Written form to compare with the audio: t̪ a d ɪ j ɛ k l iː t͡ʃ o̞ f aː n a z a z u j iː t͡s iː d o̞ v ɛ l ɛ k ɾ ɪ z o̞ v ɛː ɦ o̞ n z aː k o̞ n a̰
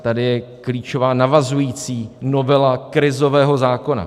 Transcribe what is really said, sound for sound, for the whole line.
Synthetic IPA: t̪ a d ɪ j ɛ k l iː t͡ʃ o̞ v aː n a v a z u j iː t͡s iː n o̞ v ɛ l a k ɾ ɪ z o̞ v ɛː ɦ o̞ z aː k o̞ n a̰